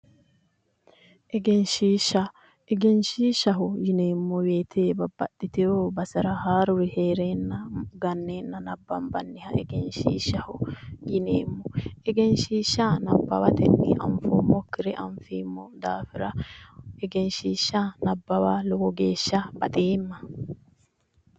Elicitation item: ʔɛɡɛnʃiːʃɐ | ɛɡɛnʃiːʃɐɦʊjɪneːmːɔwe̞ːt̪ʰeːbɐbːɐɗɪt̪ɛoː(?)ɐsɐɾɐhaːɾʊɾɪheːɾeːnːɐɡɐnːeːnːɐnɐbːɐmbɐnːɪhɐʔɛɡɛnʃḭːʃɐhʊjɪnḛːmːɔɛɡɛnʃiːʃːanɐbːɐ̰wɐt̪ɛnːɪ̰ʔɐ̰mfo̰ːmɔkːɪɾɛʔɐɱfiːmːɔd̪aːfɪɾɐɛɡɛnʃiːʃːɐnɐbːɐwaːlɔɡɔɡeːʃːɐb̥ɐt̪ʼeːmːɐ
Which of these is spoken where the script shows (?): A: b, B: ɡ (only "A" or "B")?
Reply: A